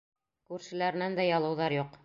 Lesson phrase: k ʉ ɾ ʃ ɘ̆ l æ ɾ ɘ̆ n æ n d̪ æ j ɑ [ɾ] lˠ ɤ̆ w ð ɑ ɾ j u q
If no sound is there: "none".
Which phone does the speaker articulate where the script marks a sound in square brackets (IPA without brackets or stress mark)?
none